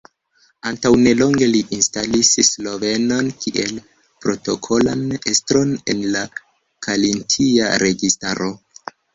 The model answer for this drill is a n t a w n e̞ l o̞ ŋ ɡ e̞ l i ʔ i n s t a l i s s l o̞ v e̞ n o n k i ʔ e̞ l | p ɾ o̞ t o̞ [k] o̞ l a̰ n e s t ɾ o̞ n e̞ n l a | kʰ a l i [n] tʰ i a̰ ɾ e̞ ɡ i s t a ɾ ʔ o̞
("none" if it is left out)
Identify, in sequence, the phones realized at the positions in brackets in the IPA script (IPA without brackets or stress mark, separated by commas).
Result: kʰ, n